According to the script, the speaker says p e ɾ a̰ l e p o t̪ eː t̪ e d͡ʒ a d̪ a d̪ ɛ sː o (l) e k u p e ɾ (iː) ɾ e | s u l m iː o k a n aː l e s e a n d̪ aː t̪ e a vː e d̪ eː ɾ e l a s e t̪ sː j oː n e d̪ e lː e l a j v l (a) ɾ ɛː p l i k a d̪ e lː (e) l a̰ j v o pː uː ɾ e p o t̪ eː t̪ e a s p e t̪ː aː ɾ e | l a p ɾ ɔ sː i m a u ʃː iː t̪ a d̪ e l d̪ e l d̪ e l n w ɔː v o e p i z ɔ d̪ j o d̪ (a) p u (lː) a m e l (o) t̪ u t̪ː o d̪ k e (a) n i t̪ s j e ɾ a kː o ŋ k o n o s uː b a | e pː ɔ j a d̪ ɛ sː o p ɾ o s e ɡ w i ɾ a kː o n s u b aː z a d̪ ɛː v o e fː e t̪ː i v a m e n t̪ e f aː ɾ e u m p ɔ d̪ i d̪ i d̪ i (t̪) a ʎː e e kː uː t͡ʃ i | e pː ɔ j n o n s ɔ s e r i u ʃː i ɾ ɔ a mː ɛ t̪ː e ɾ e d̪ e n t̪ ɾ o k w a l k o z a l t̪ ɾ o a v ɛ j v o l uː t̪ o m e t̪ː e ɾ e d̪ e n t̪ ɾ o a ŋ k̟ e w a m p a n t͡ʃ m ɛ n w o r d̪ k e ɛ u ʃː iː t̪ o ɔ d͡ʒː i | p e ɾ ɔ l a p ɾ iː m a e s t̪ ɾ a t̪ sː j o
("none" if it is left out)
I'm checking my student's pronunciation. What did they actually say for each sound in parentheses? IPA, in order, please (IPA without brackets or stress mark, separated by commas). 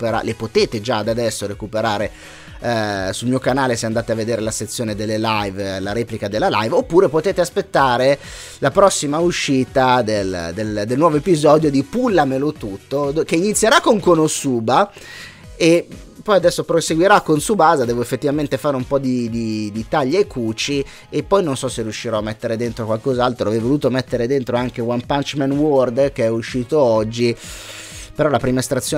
ɾ, aː, a, a, i, lː, o, i, t̪